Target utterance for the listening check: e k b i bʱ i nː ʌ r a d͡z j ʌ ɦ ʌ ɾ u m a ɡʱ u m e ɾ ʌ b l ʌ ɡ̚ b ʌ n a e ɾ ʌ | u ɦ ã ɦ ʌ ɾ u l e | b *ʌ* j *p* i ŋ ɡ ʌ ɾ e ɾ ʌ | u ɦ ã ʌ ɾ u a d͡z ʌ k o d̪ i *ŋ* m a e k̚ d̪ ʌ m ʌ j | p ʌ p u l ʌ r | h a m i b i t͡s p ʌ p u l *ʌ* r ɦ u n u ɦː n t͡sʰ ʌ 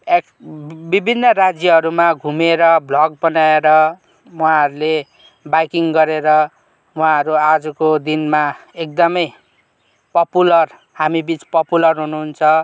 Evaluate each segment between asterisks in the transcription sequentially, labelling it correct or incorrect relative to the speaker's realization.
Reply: incorrect: a, incorrect: k, incorrect: n, correct

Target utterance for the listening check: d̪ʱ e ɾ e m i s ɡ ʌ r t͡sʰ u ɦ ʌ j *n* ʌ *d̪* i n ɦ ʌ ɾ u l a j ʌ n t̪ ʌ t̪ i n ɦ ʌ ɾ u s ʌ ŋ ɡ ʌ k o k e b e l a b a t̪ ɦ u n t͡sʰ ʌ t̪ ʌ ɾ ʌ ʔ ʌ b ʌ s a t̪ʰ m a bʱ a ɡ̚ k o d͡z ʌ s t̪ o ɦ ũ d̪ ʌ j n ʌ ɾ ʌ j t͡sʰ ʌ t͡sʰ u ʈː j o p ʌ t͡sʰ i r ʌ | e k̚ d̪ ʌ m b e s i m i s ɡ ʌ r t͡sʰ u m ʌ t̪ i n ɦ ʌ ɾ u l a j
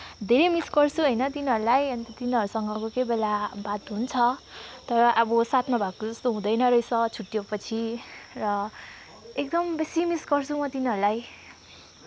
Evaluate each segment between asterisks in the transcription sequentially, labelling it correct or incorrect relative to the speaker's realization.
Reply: correct, incorrect: t̪

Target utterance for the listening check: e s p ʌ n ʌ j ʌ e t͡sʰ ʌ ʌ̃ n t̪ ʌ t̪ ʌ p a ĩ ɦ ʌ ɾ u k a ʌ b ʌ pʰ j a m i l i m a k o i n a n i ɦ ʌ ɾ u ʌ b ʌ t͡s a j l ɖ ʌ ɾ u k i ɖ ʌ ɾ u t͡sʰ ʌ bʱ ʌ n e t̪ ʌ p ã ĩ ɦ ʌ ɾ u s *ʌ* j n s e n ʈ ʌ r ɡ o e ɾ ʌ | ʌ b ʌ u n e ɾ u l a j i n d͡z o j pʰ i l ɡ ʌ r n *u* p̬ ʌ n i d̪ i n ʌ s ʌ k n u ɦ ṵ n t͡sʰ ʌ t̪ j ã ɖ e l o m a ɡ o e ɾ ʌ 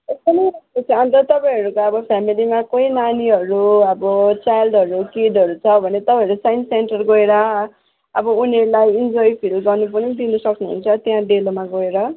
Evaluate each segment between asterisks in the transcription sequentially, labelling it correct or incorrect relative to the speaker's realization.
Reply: incorrect: a, correct

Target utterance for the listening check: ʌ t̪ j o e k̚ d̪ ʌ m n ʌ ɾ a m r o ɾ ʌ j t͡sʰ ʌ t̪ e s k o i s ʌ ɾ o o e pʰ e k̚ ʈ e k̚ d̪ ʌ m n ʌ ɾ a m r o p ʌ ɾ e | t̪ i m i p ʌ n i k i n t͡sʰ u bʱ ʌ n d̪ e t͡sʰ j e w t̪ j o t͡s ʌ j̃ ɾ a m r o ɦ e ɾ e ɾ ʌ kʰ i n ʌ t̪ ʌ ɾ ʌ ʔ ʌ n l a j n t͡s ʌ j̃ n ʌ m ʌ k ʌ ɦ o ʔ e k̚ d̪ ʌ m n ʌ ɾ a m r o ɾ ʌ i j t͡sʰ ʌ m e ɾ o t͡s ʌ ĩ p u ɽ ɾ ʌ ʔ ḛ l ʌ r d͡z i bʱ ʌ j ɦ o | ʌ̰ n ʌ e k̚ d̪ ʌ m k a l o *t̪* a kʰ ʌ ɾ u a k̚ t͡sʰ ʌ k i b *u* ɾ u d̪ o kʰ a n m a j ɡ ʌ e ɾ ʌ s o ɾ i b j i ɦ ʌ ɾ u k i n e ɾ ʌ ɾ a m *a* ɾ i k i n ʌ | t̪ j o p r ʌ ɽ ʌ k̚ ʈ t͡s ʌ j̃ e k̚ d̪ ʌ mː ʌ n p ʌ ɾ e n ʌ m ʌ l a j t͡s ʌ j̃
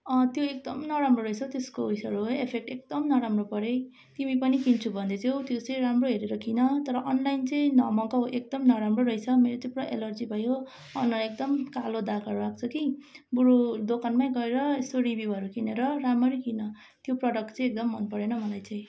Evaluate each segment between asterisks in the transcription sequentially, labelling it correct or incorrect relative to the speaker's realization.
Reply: incorrect: d̪, correct, incorrect: ʌ

